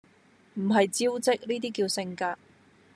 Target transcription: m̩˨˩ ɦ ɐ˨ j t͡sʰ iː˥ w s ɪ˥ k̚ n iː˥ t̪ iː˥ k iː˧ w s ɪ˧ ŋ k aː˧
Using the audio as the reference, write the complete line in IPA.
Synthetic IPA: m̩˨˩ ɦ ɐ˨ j t͡s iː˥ w t͡s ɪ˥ k̚ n iː˥ t̪ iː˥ k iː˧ w s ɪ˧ ŋ k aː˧